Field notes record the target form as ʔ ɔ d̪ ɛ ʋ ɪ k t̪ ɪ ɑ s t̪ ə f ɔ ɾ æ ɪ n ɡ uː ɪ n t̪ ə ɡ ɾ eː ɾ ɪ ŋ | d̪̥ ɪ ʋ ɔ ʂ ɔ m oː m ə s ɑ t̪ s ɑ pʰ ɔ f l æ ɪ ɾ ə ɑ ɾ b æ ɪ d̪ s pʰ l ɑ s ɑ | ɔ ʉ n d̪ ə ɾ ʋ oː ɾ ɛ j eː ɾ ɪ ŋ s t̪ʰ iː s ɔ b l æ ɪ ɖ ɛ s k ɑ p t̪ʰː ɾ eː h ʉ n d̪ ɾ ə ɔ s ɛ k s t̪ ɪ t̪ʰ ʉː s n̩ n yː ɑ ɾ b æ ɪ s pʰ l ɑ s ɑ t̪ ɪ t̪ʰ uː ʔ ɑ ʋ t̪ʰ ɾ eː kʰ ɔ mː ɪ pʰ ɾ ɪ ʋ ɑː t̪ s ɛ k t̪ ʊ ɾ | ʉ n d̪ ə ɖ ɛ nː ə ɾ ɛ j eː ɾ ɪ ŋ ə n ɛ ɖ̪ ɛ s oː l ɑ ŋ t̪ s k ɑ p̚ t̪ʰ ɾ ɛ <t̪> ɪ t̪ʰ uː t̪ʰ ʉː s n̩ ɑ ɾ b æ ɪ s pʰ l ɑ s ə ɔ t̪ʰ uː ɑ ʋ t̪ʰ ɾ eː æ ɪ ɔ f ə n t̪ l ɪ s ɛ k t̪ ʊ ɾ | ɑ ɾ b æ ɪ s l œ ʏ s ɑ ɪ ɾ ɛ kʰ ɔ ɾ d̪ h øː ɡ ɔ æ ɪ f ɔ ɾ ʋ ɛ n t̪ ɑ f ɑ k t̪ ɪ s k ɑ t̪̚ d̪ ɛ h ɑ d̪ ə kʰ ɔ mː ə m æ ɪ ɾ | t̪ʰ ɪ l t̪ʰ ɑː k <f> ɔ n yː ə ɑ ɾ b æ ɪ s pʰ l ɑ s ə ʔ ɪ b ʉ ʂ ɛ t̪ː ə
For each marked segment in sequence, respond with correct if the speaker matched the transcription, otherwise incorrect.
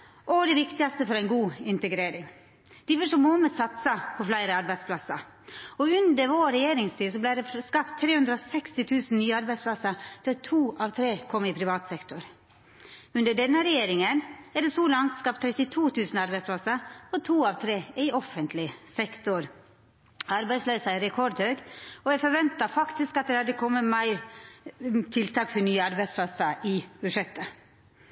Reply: correct, correct

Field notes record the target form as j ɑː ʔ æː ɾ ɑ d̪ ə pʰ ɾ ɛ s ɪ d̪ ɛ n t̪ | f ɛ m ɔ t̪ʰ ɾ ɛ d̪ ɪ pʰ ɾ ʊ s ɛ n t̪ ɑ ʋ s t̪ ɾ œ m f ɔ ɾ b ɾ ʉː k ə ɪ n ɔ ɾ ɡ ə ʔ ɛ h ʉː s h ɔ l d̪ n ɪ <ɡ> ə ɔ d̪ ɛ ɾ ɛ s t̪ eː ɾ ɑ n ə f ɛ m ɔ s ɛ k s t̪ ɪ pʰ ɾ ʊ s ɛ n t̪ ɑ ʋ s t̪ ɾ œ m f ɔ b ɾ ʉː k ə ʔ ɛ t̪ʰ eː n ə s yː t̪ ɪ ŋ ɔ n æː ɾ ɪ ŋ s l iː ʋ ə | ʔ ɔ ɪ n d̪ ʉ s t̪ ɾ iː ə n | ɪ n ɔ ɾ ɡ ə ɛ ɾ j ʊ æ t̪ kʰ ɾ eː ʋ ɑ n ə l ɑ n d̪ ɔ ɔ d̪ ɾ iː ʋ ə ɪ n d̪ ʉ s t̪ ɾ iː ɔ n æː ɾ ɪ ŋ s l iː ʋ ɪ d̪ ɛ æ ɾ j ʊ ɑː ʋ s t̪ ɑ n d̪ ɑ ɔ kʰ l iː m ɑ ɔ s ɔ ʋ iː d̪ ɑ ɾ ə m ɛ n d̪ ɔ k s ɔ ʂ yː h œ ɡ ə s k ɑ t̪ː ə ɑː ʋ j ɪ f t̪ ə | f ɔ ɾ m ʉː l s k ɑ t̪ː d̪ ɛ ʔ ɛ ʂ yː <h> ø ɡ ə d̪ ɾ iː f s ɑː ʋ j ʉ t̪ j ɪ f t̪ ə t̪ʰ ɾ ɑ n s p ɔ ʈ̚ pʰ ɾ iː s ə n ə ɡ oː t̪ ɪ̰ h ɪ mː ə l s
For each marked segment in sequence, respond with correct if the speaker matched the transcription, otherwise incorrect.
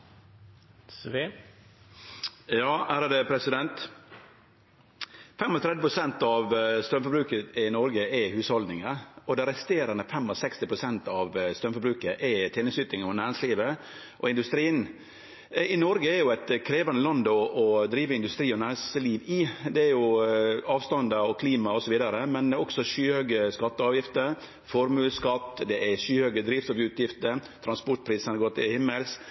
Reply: incorrect, correct

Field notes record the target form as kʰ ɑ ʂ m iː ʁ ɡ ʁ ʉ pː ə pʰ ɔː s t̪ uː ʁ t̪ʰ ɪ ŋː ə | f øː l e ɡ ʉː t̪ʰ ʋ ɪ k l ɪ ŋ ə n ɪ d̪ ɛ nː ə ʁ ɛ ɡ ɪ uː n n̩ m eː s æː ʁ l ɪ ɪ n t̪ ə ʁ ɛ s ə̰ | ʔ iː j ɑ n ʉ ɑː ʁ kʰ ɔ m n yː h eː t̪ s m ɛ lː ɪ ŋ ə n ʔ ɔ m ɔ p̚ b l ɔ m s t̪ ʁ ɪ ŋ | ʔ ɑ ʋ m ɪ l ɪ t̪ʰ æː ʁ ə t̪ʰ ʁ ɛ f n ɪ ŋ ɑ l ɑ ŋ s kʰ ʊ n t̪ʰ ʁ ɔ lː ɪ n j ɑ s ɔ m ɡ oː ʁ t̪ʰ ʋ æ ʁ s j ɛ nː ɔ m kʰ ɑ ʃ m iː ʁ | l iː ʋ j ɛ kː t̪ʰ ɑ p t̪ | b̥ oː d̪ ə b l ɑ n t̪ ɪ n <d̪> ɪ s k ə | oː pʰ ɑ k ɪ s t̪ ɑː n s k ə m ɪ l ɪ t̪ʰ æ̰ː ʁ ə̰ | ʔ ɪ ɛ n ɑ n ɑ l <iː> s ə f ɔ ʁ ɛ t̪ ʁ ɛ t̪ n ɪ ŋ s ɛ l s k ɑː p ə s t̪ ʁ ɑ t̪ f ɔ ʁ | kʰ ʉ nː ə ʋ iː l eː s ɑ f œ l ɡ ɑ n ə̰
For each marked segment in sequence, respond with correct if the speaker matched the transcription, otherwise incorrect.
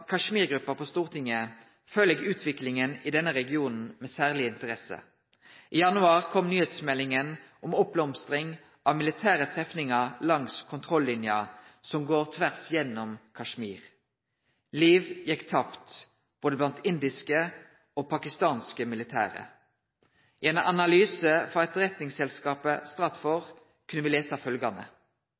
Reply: correct, incorrect

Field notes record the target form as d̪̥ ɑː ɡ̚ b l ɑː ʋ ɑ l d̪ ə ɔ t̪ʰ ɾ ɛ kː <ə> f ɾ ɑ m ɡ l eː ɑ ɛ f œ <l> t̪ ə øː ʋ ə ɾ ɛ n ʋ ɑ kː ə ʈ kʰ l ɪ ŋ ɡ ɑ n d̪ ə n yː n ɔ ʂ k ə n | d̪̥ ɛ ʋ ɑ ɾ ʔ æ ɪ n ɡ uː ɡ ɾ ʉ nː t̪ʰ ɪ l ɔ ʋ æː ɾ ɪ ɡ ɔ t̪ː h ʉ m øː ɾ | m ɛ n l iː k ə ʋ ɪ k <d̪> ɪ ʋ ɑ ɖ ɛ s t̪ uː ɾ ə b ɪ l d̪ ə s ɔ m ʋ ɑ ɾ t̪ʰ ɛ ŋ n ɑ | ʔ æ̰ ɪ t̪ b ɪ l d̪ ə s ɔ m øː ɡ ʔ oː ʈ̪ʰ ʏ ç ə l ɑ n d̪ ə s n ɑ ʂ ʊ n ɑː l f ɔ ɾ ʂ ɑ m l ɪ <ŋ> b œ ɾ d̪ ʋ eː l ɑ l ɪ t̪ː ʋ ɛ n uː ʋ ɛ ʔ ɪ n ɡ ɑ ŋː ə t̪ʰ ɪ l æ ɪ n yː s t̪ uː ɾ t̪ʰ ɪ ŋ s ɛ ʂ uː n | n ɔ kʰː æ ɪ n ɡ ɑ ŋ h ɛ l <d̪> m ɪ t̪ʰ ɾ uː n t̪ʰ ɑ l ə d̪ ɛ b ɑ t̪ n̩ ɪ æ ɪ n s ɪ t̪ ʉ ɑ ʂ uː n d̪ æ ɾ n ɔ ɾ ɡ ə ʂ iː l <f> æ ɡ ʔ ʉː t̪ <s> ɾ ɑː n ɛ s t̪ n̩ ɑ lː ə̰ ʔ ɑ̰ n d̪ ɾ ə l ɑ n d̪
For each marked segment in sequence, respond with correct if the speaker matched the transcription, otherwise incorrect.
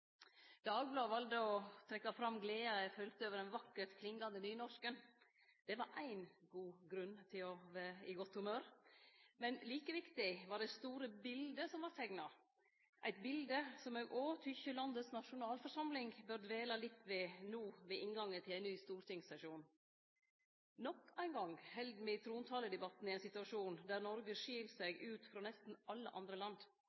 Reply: incorrect, correct, incorrect, correct, correct, incorrect, incorrect

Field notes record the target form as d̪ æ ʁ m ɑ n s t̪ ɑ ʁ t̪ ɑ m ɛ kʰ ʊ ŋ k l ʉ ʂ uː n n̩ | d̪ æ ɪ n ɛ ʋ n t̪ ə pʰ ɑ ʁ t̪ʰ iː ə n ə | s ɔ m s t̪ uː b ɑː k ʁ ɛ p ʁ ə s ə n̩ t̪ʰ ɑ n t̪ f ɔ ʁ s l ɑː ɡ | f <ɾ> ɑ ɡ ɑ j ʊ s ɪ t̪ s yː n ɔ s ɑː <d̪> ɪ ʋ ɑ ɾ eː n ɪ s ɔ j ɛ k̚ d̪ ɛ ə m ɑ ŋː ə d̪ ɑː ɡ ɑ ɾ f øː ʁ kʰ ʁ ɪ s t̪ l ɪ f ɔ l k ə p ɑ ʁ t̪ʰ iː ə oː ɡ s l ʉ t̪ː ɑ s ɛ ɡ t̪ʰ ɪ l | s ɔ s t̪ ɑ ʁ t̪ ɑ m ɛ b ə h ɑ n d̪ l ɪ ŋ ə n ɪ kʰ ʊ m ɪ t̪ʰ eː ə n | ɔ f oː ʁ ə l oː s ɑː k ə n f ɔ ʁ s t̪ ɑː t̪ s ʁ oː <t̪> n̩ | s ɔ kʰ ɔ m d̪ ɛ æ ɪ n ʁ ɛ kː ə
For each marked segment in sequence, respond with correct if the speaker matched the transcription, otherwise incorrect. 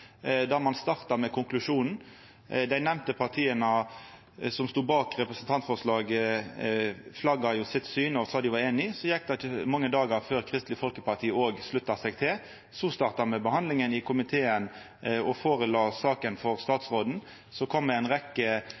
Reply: incorrect, correct, incorrect

